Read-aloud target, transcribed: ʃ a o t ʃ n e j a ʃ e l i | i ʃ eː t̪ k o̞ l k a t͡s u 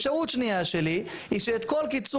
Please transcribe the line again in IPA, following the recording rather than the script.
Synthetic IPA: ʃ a u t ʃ n i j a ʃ e l i | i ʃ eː t̪ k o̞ l k i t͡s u